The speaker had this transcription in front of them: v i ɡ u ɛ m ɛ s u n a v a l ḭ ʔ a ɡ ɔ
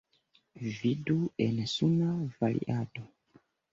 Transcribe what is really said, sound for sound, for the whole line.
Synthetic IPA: v i d u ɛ n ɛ s u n a v a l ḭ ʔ a d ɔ